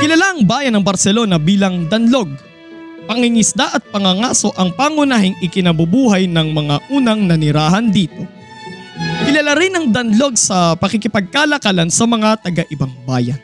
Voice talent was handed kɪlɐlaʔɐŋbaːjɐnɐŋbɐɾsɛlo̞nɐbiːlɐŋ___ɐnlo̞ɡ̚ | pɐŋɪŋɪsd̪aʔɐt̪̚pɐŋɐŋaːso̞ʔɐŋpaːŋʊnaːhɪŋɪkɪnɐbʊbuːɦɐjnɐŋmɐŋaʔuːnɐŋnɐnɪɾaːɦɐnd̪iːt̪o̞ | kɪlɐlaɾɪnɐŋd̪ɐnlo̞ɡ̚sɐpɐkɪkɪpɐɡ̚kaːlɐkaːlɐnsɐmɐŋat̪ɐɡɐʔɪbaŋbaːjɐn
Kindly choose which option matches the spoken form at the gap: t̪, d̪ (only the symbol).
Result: d̪